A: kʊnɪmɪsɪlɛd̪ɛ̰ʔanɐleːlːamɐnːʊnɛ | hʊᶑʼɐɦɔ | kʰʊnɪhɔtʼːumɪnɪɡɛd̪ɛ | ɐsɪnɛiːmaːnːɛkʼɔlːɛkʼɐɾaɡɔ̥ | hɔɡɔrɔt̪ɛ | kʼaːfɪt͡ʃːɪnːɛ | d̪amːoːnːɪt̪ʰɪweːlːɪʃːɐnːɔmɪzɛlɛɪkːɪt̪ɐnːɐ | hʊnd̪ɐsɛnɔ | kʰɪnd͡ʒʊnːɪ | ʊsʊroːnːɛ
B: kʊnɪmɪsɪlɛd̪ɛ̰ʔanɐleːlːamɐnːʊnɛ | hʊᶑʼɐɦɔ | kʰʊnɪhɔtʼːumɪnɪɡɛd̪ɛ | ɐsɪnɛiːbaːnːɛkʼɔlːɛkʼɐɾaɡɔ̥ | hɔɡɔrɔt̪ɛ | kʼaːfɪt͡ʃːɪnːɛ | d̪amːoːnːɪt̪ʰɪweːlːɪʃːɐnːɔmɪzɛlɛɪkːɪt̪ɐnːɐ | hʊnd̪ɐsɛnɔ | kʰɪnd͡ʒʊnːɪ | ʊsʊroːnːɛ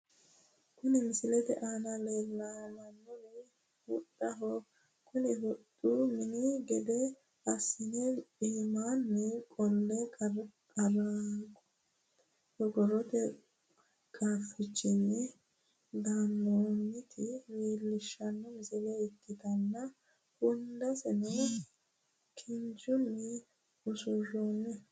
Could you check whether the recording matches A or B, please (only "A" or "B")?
A